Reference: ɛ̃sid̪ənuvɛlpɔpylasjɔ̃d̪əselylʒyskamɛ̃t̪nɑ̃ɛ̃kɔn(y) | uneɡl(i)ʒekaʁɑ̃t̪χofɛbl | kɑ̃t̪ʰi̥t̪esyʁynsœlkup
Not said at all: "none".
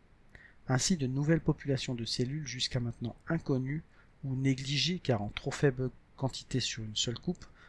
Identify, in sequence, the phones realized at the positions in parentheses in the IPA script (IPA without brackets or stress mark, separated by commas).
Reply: y, i